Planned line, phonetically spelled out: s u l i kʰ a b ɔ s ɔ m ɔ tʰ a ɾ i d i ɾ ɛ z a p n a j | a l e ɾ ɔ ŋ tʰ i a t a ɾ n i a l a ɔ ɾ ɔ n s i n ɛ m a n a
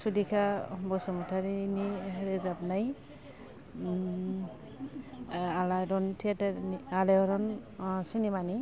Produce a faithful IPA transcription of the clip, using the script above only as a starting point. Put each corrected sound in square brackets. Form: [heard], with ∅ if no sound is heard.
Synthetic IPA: s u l i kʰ a b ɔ s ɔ m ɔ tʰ a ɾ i [n] i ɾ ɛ z a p n a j | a l [a] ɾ ɔ [n] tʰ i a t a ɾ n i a l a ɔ ɾ ɔ n s i n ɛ m a n [i]